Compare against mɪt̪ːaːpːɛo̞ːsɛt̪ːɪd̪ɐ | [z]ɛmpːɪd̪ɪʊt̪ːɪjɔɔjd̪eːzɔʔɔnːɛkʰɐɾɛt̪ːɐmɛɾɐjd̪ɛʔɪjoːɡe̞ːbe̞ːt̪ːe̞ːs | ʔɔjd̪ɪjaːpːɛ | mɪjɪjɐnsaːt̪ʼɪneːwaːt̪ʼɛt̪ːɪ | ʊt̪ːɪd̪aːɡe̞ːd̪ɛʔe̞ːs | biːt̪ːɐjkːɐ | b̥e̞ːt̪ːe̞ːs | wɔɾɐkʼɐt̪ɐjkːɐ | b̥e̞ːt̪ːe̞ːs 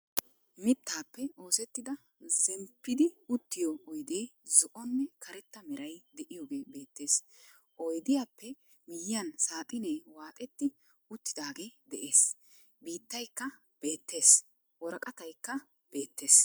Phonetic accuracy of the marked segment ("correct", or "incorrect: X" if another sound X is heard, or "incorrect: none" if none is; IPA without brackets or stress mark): correct